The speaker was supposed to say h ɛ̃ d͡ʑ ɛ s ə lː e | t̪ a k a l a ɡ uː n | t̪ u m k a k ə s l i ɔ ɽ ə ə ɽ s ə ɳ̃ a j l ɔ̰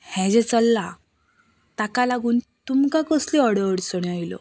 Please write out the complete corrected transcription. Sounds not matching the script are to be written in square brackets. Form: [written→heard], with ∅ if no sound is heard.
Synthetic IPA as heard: h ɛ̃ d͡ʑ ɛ [s→t͡s] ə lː [e→a] | t̪ a k a l a ɡ uː n | t̪ u m k a k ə s l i ɔ ɽ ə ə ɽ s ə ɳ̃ a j l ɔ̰